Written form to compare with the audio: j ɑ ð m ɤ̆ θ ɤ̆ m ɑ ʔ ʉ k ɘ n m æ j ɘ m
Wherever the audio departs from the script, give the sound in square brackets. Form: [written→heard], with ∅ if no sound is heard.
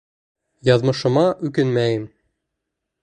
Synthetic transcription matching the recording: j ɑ ð m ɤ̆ [θ→ʃ] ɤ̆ m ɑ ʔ ʉ k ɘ n m æ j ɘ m